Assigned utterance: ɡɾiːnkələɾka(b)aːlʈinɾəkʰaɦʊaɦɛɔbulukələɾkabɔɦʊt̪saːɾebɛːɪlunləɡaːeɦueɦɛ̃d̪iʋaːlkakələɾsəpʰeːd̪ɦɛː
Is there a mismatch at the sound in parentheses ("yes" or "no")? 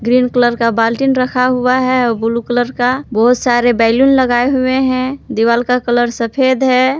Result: no